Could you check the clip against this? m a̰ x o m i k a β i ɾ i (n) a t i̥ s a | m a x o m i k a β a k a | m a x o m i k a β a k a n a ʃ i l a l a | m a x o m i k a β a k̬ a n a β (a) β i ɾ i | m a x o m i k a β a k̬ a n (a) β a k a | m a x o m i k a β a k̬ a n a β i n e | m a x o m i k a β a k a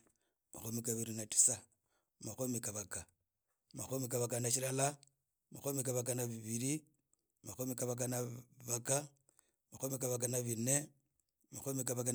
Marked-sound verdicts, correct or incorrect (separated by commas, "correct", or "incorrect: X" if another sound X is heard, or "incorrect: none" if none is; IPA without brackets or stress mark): correct, incorrect: i, correct